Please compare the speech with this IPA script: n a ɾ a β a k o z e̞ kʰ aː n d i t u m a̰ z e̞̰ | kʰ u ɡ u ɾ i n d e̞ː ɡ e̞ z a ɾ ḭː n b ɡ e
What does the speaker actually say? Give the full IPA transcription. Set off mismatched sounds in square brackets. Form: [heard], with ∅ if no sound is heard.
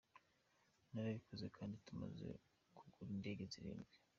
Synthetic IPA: n a ɾ a β [i] k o z e̞ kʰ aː n d i t u m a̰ z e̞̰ | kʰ u ɡ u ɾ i n d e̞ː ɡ e̞ z [i] ɾ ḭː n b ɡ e